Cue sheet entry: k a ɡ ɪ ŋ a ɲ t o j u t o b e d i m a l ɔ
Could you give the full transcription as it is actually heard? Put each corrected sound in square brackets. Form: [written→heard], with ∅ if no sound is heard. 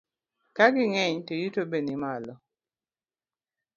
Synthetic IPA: k a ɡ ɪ ŋ [a→ɛ] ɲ t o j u t o b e [d→n] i m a l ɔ